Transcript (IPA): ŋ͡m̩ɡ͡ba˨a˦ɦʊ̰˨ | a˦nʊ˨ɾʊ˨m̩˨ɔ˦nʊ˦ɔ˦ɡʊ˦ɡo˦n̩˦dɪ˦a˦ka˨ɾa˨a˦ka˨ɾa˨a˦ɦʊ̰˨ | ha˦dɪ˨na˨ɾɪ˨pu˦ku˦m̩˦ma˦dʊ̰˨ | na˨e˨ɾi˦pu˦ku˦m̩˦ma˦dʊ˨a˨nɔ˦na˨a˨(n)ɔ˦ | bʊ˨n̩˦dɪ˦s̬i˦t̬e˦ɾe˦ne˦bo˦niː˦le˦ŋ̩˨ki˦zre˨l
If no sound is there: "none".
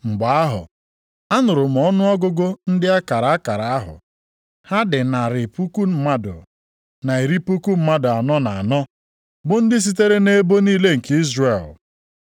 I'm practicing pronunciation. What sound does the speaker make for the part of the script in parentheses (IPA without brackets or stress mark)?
n